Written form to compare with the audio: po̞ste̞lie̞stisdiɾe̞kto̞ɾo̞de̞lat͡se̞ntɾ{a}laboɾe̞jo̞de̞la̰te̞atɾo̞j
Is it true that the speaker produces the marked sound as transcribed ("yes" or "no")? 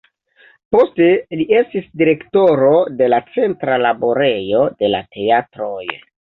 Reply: yes